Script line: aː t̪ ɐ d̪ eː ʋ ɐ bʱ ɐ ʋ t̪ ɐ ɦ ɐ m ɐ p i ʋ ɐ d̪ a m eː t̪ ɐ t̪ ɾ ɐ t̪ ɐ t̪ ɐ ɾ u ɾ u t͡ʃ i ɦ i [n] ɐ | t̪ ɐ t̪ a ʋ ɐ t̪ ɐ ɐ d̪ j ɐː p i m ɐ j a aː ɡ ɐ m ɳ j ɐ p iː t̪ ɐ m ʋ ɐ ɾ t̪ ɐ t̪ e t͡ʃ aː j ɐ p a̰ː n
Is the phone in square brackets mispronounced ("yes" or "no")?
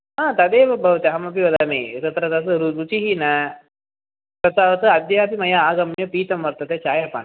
no